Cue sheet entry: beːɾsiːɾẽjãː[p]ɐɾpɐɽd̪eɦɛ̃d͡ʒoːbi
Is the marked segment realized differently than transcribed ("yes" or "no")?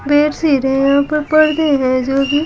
no